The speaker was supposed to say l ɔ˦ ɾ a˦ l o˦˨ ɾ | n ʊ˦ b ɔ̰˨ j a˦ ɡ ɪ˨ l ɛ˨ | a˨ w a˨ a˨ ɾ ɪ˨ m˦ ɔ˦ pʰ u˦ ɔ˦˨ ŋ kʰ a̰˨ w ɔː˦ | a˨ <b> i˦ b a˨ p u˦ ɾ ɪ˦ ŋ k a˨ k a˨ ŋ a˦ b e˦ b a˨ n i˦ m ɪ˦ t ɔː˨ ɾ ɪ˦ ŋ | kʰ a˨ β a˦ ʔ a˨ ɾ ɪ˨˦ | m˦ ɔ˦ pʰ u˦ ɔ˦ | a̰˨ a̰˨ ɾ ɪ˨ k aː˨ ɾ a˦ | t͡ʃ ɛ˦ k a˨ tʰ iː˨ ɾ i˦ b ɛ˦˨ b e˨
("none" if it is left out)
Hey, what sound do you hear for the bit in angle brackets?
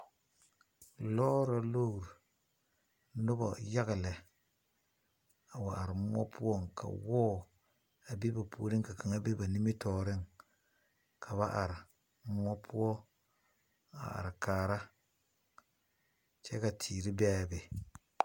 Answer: b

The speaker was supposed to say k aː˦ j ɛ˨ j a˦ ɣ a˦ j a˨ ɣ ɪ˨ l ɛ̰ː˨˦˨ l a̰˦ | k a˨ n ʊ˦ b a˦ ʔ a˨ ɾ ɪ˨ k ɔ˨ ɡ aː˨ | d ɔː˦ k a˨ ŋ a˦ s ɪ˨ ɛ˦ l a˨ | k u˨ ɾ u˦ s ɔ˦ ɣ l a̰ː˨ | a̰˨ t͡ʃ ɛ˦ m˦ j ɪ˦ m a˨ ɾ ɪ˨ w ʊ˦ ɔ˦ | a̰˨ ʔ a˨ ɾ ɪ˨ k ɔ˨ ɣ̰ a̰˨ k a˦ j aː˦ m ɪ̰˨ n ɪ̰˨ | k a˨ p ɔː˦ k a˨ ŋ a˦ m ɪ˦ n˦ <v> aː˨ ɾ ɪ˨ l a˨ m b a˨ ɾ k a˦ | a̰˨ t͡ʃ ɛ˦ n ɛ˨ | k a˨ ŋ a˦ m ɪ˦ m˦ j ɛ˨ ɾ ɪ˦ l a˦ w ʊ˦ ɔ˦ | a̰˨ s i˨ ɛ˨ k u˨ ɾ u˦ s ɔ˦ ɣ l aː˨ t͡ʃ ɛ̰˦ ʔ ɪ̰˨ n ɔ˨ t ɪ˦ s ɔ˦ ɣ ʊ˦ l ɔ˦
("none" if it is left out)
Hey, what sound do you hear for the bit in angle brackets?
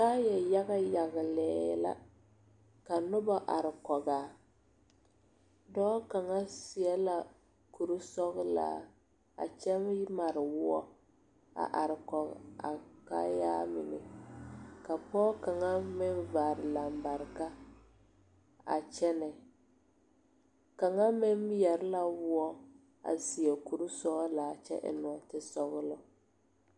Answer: v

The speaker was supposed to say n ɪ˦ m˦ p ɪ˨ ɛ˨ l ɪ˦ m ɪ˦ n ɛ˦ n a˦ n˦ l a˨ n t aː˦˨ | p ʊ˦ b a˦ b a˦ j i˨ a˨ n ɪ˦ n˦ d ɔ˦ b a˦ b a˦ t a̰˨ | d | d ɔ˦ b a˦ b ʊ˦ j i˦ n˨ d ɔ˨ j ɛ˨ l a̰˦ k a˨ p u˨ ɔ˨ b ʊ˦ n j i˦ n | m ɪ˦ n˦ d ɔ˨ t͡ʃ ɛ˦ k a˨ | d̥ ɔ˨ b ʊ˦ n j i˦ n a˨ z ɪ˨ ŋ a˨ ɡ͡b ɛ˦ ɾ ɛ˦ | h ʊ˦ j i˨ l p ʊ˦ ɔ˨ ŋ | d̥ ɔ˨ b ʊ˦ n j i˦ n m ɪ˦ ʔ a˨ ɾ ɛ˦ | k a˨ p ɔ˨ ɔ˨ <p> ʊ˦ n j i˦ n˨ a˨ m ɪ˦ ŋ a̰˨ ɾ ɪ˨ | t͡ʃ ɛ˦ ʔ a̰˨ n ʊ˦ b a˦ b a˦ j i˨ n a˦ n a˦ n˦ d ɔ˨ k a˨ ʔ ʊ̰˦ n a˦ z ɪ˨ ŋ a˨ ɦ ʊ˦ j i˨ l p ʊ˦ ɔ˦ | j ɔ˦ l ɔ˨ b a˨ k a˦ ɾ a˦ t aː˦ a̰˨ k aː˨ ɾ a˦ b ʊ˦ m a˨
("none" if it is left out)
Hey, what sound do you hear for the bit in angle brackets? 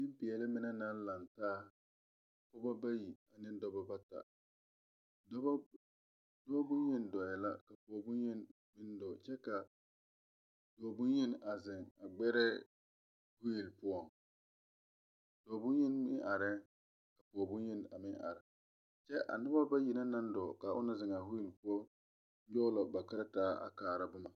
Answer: b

